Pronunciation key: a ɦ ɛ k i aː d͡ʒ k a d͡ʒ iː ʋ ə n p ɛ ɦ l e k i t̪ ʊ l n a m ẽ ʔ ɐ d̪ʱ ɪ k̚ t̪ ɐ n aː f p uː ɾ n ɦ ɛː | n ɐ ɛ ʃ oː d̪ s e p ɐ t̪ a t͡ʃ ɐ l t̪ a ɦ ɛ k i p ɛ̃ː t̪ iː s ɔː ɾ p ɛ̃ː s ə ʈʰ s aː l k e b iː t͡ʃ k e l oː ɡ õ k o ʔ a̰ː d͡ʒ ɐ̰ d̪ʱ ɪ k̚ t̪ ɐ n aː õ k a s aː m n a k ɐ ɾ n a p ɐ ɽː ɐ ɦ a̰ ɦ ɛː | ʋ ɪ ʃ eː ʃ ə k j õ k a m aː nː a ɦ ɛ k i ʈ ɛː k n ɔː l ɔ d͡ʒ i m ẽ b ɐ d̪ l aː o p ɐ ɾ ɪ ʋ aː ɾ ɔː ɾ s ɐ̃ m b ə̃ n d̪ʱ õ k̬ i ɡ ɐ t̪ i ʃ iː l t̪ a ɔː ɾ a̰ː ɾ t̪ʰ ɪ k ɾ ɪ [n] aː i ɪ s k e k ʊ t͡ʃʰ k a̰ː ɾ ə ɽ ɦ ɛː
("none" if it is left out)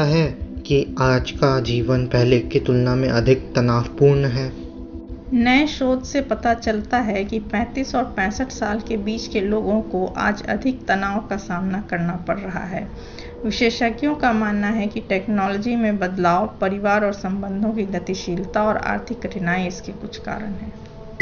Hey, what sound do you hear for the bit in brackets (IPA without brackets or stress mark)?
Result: n